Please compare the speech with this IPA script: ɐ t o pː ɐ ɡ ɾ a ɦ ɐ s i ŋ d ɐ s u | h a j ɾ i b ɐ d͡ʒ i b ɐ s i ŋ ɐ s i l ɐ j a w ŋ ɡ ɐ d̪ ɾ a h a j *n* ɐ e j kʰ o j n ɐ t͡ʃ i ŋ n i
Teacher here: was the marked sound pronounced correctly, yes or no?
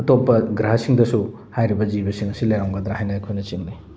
yes